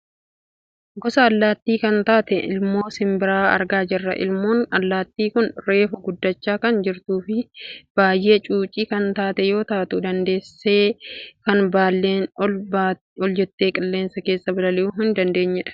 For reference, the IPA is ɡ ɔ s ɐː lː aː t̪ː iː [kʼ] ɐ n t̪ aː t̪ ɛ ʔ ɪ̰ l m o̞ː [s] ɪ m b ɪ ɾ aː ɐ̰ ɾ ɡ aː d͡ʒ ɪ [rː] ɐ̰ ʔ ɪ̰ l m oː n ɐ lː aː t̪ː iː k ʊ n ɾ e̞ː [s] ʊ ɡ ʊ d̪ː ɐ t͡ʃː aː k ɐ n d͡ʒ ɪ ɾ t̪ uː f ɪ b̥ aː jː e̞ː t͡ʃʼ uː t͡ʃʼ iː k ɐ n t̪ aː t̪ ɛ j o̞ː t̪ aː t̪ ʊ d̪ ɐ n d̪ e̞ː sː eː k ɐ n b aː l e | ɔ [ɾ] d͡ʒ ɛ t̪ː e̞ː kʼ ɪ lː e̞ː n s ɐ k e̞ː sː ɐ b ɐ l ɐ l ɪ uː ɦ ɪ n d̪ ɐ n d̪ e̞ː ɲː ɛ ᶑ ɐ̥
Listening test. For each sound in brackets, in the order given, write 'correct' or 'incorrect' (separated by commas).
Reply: incorrect, correct, correct, incorrect, incorrect